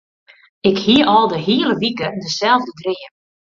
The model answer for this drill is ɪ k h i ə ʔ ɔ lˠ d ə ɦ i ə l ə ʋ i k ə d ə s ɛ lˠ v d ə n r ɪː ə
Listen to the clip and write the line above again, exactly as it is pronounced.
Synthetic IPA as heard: ɪ k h i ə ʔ ɔ lˠ d ə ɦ i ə l ə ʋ i k ə d ə s ɛ lˠ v d ə d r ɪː ə